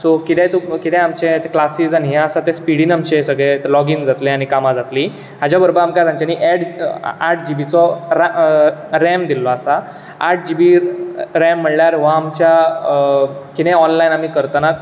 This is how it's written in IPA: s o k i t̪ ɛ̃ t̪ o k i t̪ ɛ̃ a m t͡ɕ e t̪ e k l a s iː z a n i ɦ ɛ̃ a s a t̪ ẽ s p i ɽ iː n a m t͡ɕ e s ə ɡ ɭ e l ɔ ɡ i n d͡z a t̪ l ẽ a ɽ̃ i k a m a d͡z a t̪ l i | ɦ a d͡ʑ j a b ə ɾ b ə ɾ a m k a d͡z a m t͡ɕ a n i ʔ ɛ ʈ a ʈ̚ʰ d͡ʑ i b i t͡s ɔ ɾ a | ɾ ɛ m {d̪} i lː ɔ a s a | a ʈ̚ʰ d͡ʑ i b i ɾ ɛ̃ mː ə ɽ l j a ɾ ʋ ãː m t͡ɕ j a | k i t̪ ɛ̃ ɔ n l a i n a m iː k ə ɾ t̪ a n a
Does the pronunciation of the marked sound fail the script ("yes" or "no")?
no